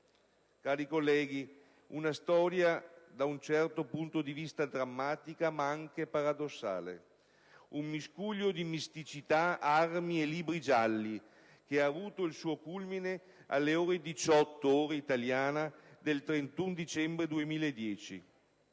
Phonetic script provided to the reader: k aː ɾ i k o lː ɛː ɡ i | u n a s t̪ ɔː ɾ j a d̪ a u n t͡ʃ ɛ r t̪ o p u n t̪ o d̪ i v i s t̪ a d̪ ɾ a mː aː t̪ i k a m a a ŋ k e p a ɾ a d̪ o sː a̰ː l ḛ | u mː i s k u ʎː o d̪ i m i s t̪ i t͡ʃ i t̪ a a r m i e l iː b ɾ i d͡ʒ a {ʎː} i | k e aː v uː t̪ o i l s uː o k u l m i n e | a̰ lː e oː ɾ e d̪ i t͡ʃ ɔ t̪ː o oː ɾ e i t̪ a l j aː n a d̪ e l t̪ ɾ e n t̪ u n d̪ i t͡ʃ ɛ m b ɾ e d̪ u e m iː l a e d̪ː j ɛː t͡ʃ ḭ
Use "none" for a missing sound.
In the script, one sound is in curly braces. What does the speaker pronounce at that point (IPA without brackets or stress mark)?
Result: lː